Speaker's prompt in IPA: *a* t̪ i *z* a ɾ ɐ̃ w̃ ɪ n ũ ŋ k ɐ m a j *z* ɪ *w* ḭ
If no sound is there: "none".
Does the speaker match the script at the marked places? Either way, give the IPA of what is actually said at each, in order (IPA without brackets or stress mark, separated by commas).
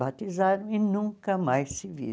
a, z, s, v